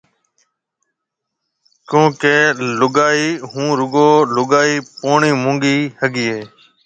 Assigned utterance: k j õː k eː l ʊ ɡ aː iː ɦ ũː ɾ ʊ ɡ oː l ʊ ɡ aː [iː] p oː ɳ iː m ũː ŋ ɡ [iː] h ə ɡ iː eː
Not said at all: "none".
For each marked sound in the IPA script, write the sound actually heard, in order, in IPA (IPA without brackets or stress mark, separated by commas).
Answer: iː, iː